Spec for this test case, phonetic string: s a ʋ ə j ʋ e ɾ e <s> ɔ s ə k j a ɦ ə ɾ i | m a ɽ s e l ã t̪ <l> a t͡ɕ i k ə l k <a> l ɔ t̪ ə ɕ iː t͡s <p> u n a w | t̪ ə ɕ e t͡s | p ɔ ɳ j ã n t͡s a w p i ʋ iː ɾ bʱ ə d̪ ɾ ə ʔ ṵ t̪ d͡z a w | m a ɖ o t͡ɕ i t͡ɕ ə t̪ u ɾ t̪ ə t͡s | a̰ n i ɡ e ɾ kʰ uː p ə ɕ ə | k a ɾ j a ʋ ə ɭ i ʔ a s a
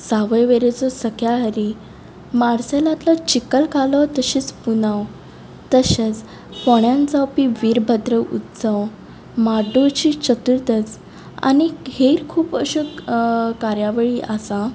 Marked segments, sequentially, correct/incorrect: incorrect: t͡s, correct, correct, correct

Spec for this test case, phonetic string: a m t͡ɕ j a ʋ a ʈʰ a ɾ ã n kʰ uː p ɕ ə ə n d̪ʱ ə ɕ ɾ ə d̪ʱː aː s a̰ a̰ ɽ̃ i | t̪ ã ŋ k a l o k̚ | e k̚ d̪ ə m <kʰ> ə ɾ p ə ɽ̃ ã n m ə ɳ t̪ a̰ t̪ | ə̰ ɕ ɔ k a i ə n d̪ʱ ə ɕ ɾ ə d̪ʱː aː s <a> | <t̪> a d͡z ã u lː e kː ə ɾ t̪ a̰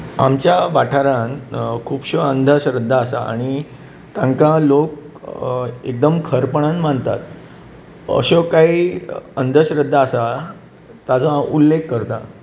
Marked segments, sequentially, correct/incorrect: correct, correct, correct

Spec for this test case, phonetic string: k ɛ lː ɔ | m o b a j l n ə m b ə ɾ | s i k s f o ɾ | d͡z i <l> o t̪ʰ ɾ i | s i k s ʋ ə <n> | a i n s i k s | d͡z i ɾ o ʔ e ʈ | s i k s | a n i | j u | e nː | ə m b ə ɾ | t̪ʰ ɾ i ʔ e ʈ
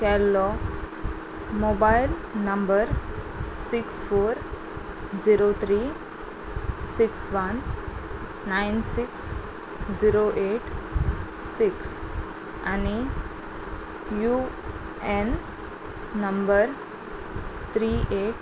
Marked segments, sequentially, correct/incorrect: incorrect: ɾ, incorrect: nː

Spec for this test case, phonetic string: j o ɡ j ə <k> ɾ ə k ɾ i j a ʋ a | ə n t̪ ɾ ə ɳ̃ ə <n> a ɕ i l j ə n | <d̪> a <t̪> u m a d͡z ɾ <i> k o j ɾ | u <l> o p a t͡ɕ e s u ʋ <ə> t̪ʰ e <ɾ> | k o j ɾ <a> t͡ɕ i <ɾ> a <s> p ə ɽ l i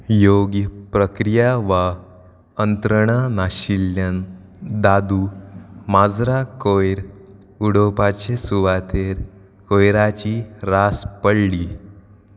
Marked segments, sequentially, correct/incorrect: incorrect: p, correct, correct, incorrect: d̪, incorrect: a, incorrect: ɽ, incorrect: a, correct, correct, correct, correct

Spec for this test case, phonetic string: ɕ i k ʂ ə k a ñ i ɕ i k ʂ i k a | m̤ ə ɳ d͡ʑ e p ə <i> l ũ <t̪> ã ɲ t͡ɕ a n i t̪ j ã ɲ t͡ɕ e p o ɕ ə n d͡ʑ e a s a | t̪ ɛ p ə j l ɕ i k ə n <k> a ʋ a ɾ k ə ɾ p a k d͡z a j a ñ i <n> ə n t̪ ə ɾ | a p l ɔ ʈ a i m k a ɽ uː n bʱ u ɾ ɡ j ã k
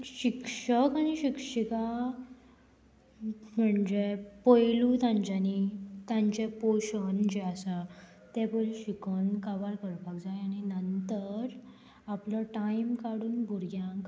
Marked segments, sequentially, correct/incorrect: incorrect: j, correct, correct, correct

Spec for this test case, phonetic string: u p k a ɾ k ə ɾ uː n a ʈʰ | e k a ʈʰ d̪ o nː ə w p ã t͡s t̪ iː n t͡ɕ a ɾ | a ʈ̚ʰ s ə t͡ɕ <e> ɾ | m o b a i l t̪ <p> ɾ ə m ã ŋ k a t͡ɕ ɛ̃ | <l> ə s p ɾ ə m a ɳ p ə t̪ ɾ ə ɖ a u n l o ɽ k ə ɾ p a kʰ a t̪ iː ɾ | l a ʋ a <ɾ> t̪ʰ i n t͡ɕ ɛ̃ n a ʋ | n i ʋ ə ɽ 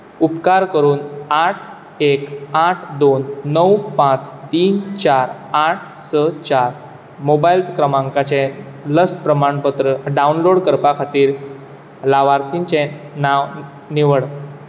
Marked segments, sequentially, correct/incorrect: incorrect: a, incorrect: k, correct, correct

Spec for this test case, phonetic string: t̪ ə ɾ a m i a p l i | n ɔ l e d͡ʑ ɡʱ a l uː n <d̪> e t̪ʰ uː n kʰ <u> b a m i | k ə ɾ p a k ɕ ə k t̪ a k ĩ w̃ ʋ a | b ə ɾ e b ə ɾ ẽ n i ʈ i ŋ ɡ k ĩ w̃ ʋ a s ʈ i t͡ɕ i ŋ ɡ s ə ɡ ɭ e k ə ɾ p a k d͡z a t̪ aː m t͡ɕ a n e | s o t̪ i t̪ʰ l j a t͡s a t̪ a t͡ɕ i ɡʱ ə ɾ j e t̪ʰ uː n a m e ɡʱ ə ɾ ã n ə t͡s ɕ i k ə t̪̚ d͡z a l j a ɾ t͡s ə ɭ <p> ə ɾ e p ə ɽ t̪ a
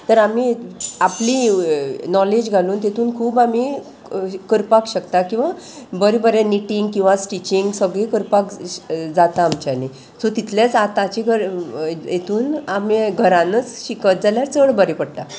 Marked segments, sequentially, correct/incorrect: incorrect: t̪, incorrect: uː, incorrect: b

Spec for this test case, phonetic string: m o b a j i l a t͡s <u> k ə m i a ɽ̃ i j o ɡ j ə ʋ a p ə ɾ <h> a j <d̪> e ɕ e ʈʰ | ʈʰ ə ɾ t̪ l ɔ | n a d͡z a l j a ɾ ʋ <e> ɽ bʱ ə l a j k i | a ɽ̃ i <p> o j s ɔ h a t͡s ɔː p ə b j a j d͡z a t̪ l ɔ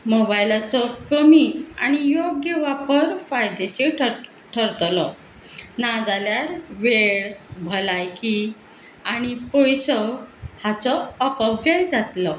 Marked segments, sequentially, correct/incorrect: incorrect: ɔ, incorrect: f, correct, correct, correct

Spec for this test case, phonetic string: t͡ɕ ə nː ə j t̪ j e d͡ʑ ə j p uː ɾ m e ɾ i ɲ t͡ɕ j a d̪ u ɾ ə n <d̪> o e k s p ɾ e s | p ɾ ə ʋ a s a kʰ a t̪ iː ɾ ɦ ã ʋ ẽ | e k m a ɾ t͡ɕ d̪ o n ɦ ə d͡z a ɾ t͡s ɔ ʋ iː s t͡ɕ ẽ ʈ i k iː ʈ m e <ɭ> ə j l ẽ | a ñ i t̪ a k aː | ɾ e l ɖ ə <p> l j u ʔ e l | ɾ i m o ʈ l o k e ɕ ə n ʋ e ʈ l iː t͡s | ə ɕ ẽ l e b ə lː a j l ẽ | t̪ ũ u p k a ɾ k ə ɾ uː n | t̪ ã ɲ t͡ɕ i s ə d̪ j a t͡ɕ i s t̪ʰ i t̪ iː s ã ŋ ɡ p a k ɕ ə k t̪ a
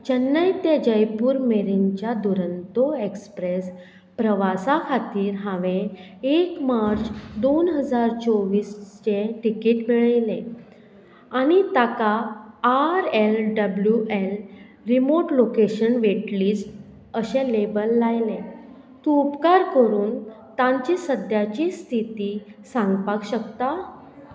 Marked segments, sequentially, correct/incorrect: incorrect: t̪, correct, incorrect: b

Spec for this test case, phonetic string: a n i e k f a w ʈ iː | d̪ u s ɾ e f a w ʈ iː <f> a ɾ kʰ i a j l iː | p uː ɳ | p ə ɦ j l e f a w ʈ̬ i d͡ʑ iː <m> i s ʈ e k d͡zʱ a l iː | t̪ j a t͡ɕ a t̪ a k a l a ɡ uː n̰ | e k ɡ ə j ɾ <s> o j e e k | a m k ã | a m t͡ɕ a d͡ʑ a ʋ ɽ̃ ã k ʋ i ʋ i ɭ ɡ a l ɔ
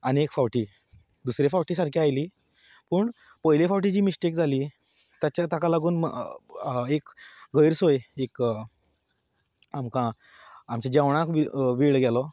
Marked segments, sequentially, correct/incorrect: incorrect: s, correct, correct

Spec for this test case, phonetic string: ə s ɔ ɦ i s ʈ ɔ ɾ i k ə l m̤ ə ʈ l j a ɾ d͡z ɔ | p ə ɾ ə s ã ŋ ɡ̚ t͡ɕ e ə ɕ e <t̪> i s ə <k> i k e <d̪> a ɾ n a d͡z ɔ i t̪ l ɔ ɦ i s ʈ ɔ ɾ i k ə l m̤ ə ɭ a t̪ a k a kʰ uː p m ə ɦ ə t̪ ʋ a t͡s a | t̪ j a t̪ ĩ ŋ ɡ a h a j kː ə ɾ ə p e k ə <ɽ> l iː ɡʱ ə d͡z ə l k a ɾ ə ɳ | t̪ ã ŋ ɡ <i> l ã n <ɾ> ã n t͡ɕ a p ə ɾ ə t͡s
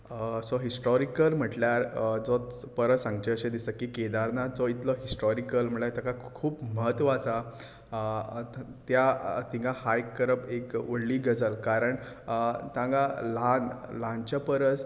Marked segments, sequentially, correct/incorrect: incorrect: d̪, correct, correct, correct, incorrect: a, incorrect: l

